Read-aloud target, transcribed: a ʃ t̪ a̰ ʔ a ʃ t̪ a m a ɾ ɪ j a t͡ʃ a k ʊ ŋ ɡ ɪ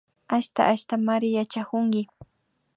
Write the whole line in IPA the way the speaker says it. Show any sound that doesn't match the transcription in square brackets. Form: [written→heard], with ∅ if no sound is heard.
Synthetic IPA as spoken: a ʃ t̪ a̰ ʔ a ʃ t̪ a m a ɾ ɪ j a t͡ʃ a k ʊ ŋ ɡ ɪ